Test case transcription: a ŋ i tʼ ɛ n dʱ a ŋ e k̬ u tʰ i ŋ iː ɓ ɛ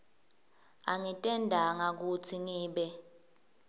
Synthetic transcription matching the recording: a ŋ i tʼ ɛ n dʱ a ŋ a k̬ u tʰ i ŋ iː ɓ ɛ